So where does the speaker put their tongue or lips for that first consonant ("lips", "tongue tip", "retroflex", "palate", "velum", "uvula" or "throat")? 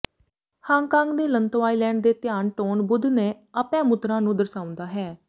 throat